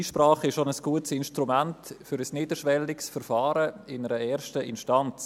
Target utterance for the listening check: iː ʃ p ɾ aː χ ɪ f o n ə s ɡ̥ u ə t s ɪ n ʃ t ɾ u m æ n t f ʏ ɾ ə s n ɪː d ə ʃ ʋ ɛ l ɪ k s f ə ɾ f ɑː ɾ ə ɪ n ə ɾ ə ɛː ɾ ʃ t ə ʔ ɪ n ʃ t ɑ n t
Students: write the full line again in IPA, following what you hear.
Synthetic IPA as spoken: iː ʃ p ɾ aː χ ɪ ʃ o n ə s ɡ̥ u ə t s ɪ n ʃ t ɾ u m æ n t f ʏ ɾ ə s n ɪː d ə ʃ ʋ ɛ l ɪ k s f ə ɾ f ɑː ɾ ə ɪ n ə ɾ ə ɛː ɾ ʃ t ə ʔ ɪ n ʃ t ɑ n t͡s